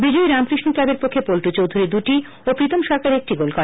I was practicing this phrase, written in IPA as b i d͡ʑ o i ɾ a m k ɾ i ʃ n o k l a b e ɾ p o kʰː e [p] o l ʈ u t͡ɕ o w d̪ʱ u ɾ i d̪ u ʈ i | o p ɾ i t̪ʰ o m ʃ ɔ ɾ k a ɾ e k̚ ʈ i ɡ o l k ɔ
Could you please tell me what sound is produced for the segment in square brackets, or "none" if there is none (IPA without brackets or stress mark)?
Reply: p